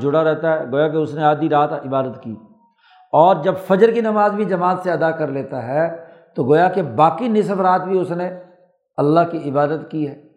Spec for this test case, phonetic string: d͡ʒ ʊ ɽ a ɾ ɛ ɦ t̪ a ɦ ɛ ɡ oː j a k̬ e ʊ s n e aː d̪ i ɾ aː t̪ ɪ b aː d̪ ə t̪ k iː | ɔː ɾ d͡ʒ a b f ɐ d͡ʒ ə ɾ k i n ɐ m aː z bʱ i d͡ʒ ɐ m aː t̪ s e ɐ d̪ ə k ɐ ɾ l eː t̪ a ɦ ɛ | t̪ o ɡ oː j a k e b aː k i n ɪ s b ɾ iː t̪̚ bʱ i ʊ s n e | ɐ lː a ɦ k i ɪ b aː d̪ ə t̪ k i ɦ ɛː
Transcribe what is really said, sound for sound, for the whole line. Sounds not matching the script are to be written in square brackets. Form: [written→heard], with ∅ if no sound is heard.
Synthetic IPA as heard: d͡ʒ ʊ ɽ a ɾ ɛ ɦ t̪ a ɦ ɛ ɡ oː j a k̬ e ʊ s n e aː d̪ i ɾ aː t̪ ɪ b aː d̪ ə t̪ k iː | ɔː ɾ d͡ʒ [a→ɐ] b f ɐ d͡ʒ ə ɾ k i n ɐ m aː z bʱ i d͡ʒ ɐ m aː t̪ s e ɐ d̪ [ə→a] k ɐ ɾ l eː t̪ a ɦ ɛ | t̪ o ɡ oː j a k e b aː k i n ɪ s b ɾ [iː→aː] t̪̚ bʱ i ʊ s n e | ɐ lː a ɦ k i ɪ b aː d̪ ə t̪ k i ɦ ɛː